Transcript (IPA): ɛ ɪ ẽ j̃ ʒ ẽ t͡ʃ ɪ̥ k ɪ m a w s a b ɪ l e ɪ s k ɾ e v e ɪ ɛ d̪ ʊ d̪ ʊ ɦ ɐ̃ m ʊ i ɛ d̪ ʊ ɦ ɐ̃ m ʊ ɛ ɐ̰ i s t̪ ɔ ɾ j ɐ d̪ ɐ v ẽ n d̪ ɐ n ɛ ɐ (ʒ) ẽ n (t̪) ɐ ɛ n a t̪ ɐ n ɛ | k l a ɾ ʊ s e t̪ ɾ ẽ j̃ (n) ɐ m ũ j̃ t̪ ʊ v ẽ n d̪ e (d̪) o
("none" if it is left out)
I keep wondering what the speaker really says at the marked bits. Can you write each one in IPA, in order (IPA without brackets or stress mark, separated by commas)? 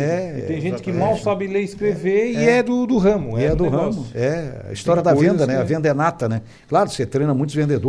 v, d̪, n, d̪